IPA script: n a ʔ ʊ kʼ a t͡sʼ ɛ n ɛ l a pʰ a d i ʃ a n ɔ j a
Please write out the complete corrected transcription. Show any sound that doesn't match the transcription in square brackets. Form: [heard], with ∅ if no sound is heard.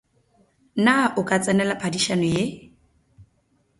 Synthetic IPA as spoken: n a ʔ ʊ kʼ a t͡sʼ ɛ n ɛ l a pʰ a d i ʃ a n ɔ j [e]